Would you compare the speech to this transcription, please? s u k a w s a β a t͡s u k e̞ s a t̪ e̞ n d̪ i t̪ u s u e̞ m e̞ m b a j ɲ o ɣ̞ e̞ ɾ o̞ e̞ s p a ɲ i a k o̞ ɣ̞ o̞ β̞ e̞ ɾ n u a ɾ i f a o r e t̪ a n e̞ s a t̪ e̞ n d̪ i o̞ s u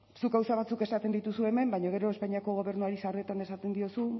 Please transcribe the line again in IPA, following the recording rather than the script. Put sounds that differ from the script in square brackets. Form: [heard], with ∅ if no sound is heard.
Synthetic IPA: s u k a w s a β a t͡s u k e̞ s a t̪ e̞ n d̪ i t̪ u s u e̞ m e̞ m b a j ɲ o ɣ̞ e̞ ɾ o̞ e̞ s p a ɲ i a k o̞ ɣ̞ o̞ β̞ e̞ ɾ n u a ɾ i [s] a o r e t̪ a n e̞ s a t̪ e̞ n d̪ i o̞ s u